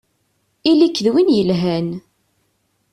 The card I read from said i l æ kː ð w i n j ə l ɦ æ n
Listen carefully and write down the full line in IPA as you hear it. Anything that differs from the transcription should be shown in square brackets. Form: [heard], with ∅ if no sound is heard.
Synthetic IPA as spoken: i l [i] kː ð w i n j ə l ɦ æ n